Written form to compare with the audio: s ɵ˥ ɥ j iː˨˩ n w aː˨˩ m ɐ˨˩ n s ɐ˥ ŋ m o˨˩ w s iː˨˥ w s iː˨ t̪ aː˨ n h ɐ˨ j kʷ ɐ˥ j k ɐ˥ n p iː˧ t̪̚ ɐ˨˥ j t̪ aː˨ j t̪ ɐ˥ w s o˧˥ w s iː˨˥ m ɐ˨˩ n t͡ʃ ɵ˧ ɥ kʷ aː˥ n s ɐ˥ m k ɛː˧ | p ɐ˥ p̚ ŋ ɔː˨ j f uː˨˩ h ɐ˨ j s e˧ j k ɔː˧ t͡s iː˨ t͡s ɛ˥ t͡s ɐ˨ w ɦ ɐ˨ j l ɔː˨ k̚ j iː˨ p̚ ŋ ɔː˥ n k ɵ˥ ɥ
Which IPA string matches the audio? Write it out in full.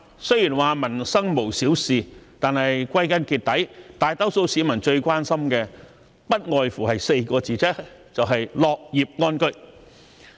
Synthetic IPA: s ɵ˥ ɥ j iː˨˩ n w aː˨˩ m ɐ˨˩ n s ɐ˥ ŋ m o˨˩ w s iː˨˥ w s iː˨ t̪ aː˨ n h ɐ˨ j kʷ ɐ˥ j k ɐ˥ n k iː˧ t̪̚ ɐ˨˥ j t̪ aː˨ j t̪ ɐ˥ w s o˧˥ w s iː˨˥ m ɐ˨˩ n t͡ʃ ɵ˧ ɥ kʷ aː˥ n s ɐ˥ m k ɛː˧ | p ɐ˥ t̚ ŋ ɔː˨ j f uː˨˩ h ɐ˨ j s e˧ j k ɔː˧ t͡s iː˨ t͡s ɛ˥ t͡s ɐ˨ w ɦ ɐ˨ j l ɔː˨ k̚ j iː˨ p̚ ŋ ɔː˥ n k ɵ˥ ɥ

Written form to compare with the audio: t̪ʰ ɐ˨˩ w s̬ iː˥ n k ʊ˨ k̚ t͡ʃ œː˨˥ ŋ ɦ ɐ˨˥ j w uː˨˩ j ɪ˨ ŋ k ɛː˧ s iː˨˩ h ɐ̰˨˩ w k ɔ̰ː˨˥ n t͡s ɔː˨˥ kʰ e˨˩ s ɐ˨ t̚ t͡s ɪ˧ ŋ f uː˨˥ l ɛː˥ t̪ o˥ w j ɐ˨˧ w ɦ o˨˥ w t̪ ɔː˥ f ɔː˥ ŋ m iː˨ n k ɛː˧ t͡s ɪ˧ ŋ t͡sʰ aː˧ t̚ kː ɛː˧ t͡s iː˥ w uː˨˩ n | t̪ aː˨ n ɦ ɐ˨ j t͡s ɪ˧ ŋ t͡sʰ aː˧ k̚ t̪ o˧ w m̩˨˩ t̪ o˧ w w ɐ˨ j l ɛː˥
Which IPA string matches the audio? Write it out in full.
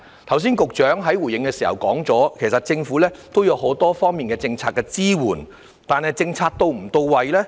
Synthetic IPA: t̪ʰ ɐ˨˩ w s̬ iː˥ n k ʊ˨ k̚ t͡ʃ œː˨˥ ŋ ɦ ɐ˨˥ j w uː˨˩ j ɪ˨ ŋ k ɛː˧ s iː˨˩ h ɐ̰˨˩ w k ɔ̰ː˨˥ ŋ t͡s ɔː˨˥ kʰ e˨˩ s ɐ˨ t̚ t͡s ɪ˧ ŋ f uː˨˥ l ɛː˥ t̪ o˥ w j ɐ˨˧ w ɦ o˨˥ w t̪ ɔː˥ f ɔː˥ ŋ m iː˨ n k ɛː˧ t͡s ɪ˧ ŋ t͡sʰ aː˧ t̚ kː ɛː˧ t͡s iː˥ w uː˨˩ n | t̪ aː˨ n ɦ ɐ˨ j t͡s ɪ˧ ŋ t͡sʰ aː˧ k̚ t̪ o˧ w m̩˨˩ t̪ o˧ w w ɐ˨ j l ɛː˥

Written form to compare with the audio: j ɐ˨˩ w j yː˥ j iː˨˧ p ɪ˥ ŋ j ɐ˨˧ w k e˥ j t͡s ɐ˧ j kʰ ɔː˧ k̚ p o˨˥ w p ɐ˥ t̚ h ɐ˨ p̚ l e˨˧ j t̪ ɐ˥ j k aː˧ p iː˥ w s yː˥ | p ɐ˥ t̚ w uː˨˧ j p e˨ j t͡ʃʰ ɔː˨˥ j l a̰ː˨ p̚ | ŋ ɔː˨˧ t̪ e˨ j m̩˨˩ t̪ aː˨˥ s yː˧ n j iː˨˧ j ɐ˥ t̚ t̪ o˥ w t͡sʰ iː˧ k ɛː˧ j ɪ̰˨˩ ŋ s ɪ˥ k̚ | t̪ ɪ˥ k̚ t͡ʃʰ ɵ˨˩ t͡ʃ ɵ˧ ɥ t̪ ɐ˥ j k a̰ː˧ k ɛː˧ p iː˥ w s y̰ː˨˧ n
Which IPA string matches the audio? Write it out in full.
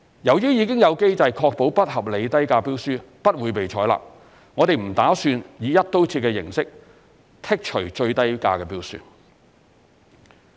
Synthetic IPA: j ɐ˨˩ w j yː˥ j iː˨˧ k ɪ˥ ŋ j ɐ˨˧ w k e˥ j t͡s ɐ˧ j kʰ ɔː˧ k̚ p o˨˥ w p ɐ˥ t̚ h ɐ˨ p̚ l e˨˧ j t̪ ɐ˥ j k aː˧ p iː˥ w s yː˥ | p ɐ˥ t̚ w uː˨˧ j p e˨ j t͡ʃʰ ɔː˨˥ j l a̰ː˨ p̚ | ŋ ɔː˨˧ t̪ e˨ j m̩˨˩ t̪ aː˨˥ s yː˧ n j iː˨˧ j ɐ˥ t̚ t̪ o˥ w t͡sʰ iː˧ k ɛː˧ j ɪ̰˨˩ ŋ s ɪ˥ k̚ | t̪ʰ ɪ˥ k̚ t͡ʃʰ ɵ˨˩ t͡ʃ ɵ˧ ɥ t̪ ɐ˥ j k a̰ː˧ k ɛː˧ p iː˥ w s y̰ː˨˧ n

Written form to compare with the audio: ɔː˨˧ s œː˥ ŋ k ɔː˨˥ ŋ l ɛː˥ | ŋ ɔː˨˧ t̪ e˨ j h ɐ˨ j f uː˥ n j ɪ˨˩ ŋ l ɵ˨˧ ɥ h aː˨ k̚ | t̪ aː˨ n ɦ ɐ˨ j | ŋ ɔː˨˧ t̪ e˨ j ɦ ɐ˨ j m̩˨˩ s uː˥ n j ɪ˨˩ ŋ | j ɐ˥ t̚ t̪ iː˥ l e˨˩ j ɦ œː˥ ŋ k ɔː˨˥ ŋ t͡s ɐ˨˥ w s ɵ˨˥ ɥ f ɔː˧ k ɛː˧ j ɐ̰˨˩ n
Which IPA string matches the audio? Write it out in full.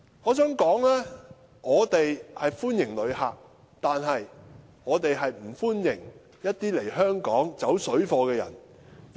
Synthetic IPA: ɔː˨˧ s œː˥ ŋ k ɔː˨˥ ŋ l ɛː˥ | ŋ ɔː˨˧ t̪ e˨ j h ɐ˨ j f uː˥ n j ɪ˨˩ ŋ l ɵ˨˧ ɥ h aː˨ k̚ | t̪ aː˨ n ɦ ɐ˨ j | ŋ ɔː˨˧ t̪ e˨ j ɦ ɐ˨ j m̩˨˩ f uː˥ n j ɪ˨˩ ŋ | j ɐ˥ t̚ t̪ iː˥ l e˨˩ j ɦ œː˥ ŋ k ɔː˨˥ ŋ t͡s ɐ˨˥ w s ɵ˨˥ ɥ f ɔː˧ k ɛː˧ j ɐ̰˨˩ n

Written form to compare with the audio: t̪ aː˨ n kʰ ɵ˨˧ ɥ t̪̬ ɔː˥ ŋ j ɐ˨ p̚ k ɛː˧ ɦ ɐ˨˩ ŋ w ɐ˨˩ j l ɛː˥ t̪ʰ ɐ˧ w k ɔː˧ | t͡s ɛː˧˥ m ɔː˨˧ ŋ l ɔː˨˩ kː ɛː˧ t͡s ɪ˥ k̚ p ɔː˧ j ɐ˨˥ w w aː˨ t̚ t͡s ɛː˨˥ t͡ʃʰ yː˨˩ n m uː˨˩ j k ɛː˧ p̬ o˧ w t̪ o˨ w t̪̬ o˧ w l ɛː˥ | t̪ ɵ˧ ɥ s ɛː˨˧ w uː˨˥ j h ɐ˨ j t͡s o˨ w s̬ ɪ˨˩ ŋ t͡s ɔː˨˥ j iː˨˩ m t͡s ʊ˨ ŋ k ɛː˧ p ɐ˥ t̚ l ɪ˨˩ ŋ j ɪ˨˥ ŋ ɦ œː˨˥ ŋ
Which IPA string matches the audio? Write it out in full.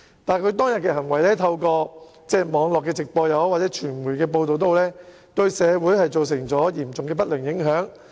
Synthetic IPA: t̪ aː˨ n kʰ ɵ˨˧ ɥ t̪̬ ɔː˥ ŋ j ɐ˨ t̚ k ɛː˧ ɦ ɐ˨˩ ŋ w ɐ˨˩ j l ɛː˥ t̪ʰ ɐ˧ w k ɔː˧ | t͡s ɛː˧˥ m ɔː˨˧ ŋ l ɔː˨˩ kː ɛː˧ t͡s ɪ˨ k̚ p ɔː˧ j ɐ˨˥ w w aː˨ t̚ t͡s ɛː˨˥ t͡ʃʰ yː˨˩ n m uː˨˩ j k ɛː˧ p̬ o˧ w t̪ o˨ w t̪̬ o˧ w l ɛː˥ | t̪ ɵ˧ ɥ s ɛː˨˧ w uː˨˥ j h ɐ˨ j t͡s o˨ w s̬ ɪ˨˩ ŋ t͡s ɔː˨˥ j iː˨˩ m t͡s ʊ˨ ŋ k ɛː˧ p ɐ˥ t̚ l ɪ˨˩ ŋ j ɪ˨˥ ŋ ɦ œː˨˥ ŋ

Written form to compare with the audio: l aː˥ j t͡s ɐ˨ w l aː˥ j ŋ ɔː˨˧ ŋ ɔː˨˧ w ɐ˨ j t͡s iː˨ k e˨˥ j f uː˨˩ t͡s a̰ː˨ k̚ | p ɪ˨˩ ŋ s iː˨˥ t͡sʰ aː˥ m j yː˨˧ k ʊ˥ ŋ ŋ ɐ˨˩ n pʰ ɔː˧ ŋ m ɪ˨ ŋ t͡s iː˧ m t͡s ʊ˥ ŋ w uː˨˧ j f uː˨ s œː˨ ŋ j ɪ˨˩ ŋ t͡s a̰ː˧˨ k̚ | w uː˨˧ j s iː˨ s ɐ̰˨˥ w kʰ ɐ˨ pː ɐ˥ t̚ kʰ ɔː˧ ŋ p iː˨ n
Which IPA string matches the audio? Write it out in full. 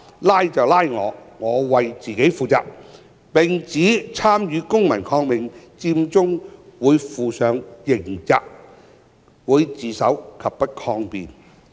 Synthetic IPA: l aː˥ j t͡s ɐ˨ w l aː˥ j ŋ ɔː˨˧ ŋ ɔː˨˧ w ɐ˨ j t͡s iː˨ k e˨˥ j f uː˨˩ t͡s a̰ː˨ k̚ | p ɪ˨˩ ŋ t͡s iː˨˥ t͡sʰ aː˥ m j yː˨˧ k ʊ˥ ŋ m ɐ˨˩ n kʰ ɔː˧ ŋ m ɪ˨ ŋ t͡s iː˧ m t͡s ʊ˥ ŋ w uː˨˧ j f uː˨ s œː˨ ŋ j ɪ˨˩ ŋ t͡s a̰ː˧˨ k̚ | w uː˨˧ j t͡s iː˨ s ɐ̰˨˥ w kʰ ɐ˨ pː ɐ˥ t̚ kʰ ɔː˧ ŋ p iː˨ n

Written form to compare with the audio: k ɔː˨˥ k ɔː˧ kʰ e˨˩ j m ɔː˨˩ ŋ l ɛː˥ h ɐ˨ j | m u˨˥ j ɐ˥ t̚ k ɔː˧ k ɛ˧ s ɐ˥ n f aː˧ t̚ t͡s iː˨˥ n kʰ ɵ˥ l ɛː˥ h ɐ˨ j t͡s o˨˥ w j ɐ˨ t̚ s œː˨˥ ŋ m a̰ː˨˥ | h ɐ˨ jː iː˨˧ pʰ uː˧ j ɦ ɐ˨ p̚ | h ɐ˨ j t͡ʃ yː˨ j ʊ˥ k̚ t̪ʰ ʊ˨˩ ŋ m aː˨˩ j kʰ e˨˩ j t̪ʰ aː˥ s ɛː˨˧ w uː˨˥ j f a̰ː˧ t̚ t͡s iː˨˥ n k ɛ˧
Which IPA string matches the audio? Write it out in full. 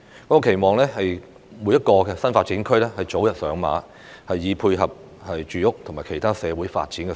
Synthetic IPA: k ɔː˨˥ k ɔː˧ kʰ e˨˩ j m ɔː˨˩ ŋ l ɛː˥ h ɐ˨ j | m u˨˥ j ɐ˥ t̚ k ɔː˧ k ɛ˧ s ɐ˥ n f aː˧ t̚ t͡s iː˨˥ n kʰ ɵ˥ l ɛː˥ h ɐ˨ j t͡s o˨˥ w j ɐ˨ t̚ s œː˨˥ ŋ m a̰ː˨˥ | h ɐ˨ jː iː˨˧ pʰ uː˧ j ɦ ɐ˨ p̚ | h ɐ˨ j t͡ʃ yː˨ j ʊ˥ k̚ t̪ʰ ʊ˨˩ ŋ m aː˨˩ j kʰ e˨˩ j t̪ʰ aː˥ s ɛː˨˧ w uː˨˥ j f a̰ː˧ t̚ t͡s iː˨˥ n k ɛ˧

